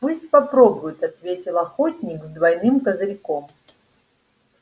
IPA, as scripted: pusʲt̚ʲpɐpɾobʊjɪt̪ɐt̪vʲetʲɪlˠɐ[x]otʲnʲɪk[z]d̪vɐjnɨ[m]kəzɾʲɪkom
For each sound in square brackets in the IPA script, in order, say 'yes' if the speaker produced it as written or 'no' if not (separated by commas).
yes, yes, yes